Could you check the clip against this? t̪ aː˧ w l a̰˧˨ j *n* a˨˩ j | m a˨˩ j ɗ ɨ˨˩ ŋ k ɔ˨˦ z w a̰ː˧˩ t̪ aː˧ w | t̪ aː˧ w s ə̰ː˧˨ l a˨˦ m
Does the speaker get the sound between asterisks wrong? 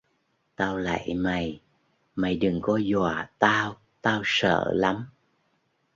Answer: yes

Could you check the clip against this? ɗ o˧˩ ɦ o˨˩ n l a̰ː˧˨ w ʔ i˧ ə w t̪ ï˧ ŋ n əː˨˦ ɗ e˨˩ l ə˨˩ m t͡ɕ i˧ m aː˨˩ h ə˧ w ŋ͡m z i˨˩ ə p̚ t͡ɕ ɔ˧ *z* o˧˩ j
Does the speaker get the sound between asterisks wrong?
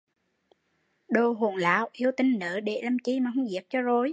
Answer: no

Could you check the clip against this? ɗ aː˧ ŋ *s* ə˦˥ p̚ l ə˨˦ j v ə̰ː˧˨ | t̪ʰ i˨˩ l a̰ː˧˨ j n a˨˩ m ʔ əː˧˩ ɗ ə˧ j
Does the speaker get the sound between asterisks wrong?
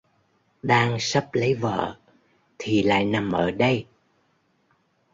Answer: no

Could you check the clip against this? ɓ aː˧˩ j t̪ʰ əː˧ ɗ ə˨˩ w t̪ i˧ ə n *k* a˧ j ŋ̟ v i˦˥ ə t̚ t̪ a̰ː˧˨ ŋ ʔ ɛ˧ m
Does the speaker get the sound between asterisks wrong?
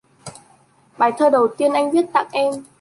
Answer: yes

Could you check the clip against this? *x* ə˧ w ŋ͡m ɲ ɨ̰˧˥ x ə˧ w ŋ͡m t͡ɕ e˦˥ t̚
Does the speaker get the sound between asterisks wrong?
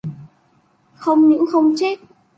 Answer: no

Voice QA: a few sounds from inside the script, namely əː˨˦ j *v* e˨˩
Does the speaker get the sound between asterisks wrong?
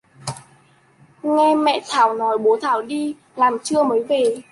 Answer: no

